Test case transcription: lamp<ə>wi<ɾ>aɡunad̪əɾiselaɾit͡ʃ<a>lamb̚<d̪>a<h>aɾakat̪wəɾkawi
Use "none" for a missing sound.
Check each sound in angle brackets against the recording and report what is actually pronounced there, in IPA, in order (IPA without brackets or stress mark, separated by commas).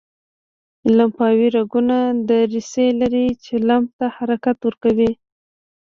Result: ɑ, ɾ, e, t̪, h